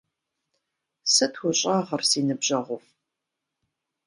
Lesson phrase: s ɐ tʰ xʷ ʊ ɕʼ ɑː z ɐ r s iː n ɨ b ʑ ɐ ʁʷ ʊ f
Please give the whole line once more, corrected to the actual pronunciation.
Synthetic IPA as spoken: s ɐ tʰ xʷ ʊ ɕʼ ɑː ʁ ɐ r s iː n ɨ b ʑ ɐ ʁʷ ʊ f